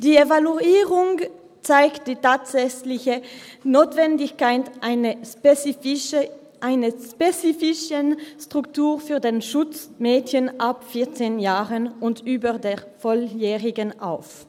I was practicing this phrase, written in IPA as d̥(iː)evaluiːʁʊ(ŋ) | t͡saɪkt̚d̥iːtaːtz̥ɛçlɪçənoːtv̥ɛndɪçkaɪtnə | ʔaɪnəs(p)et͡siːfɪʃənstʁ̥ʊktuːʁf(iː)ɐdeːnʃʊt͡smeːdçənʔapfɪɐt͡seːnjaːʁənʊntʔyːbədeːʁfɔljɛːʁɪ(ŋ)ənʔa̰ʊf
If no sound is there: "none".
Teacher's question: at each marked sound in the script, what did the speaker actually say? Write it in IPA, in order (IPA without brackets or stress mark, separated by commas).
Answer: iː, ŋ, p, yː, ɡ